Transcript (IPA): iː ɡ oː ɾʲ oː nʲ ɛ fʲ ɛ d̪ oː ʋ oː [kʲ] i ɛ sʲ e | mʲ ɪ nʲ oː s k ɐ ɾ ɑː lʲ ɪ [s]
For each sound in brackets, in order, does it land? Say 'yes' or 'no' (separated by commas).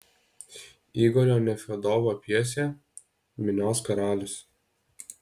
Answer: no, yes